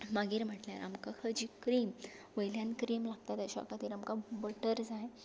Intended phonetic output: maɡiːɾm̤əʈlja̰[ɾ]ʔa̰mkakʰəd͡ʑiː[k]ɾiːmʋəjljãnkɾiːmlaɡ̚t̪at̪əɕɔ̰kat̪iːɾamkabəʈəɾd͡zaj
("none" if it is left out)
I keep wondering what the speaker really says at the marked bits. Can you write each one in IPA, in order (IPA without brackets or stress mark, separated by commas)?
ɾ, k